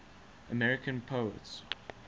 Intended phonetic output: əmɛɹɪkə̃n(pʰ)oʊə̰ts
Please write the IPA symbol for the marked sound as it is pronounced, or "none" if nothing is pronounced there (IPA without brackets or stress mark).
pʰ